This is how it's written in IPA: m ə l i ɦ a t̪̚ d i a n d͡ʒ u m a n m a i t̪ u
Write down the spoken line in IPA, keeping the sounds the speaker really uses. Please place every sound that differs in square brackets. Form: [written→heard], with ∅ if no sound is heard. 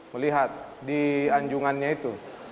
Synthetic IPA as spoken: m ə l i ɦ a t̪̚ d i a [n→ɲ] d͡ʒ u [m→ŋ] a n [m→ɲ] a i t̪ u